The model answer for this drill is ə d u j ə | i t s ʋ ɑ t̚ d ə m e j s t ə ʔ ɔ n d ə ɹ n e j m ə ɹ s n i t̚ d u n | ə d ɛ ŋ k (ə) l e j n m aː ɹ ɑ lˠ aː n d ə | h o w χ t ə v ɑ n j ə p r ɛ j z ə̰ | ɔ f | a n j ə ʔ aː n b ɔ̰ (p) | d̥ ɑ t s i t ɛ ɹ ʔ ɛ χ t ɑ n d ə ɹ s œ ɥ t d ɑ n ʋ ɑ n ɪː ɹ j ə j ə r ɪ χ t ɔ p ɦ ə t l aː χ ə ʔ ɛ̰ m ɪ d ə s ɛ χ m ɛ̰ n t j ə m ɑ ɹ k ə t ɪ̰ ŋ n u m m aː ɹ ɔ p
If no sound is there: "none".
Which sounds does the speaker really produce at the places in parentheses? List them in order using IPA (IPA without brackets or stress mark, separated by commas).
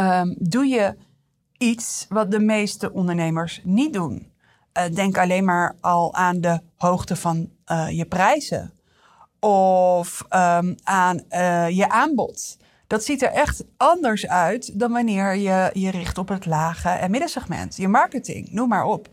ɑ, t